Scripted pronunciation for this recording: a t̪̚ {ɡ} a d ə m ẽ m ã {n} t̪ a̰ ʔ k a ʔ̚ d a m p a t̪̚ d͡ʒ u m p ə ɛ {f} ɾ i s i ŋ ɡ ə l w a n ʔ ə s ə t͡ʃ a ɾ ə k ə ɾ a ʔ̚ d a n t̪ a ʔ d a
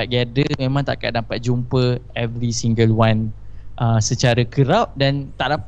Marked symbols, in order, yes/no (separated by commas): yes, no, no